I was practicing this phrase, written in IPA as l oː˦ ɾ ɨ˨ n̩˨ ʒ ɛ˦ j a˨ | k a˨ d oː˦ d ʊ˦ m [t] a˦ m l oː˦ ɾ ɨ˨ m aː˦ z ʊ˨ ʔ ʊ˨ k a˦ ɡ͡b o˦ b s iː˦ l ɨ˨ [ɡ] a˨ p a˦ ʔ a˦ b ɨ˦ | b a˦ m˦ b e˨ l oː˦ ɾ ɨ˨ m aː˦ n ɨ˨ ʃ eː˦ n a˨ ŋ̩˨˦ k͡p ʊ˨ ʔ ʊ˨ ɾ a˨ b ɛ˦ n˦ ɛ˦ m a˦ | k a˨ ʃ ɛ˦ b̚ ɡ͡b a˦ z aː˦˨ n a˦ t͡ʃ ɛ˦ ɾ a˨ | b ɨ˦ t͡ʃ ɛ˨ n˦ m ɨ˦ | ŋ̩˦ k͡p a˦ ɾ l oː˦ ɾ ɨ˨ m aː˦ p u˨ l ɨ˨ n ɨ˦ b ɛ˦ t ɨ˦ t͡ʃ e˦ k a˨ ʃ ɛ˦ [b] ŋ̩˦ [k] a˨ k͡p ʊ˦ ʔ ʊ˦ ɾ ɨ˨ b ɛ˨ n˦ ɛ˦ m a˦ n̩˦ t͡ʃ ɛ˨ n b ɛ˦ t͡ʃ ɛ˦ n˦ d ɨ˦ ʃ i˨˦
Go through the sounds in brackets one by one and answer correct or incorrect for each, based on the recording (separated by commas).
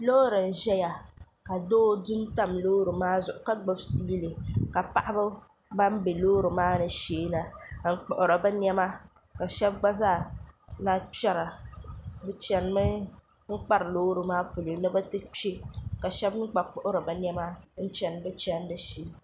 correct, incorrect, correct, incorrect